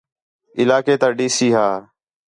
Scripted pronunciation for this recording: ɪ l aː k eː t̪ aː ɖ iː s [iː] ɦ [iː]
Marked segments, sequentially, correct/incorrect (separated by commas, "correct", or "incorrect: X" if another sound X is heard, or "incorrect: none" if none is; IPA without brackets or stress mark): correct, incorrect: aː